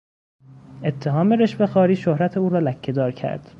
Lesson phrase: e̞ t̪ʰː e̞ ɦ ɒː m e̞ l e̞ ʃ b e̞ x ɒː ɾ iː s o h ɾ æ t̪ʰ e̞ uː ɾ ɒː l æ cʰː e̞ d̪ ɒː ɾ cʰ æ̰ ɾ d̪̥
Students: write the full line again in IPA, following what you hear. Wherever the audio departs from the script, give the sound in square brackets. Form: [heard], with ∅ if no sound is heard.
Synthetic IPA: e̞ t̪ʰː e̞ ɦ ɒː m e̞ [ɾ] e̞ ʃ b e̞ x ɒː ɾ iː [ʃ] o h ɾ æ t̪ʰ e̞ uː ɾ ɒː l æ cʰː e̞ d̪ ɒː ɾ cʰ æ̰ ɾ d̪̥